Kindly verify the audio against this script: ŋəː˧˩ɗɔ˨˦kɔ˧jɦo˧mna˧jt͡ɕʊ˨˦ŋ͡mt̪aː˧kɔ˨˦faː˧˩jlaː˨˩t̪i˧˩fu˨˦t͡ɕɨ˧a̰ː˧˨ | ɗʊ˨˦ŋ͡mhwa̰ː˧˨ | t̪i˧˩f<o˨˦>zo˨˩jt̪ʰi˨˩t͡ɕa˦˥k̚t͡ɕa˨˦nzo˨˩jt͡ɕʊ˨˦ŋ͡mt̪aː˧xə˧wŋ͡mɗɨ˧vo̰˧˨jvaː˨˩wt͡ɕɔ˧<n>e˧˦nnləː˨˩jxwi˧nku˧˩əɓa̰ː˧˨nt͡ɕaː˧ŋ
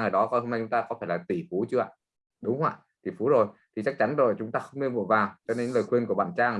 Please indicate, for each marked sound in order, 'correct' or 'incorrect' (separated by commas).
incorrect, correct